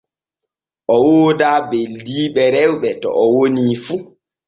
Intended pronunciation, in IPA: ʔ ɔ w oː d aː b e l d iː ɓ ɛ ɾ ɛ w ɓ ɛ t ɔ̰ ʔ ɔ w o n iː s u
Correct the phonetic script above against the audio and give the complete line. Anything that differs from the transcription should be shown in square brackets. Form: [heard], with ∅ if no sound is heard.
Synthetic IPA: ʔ ɔ w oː d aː b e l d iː ɓ ɛ ɾ ɛ w ɓ ɛ t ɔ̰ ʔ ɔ w o n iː [f] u